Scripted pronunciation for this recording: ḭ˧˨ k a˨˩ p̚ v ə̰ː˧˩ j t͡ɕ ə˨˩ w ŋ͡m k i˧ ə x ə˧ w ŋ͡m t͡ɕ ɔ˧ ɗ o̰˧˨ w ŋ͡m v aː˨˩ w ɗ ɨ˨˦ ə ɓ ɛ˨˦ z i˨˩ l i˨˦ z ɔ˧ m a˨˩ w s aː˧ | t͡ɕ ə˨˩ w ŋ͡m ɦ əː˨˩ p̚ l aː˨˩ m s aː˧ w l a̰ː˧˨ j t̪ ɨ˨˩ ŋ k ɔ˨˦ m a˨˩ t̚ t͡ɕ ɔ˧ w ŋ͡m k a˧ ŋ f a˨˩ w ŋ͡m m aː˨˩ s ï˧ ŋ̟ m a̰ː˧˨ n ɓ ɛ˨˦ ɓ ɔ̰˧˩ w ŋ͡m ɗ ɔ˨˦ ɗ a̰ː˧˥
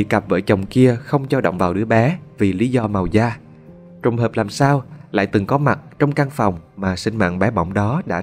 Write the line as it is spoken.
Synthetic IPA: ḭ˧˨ k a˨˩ p̚ v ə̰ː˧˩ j t͡ɕ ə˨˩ w ŋ͡m k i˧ ə x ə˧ w ŋ͡m t͡ɕ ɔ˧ ɗ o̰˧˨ w ŋ͡m v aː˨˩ w ɗ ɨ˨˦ ə ɓ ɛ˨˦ v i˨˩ l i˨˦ z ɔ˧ m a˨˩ w z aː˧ | t͡ɕ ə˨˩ w ŋ͡m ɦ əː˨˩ p̚ l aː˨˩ m s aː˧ w l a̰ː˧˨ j t̪ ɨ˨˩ ŋ k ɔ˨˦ m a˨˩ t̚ t͡ɕ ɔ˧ w ŋ͡m k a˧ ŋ f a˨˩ w ŋ͡m m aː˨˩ s ï˧ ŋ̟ m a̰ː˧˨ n ɓ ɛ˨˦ ɓ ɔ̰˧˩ w ŋ͡m ɗ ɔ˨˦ ɗ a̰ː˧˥